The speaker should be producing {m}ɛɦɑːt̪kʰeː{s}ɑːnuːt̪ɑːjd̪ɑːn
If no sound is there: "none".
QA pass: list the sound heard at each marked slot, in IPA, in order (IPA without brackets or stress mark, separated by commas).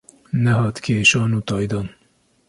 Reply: n, ʃ